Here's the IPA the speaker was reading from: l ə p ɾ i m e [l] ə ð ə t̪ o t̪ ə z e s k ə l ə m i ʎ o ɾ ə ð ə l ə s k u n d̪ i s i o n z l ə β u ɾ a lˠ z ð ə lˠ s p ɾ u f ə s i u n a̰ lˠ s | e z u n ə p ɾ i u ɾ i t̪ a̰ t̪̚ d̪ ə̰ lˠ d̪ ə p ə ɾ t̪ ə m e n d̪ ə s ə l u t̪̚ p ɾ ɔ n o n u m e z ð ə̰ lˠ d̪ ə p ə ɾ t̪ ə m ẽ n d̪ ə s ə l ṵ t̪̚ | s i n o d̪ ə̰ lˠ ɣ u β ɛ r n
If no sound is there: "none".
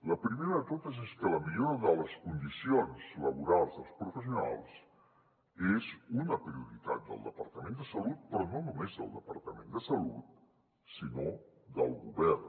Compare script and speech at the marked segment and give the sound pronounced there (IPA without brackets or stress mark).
ɾ